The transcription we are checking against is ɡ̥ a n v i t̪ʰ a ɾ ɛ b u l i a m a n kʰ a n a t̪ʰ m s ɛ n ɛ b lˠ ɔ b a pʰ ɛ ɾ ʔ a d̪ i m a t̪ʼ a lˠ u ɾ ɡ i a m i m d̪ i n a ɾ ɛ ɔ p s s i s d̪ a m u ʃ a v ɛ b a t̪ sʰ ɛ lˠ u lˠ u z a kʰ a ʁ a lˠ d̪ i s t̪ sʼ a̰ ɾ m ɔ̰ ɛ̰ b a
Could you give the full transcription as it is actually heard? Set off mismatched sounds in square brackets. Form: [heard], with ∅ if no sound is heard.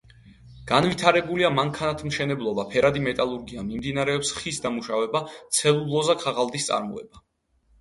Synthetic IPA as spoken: ɡ̥ a n v i t̪ʰ a ɾ ɛ b u l i a m a [ŋ] kʰ a n a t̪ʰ m [ʃ] ɛ n ɛ b lˠ ɔ b a pʰ ɛ ɾ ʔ a d̪ i m [ɛ] t̪ʼ a lˠ u ɾ ɡ i a m i m d̪ i n a ɾ ɛ ɔ p s [χ] i s d̪ a m u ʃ a v ɛ b a t̪ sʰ ɛ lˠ u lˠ [ɔ] z a kʰ a ʁ a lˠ d̪ i s t̪ sʼ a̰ ɾ m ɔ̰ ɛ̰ b a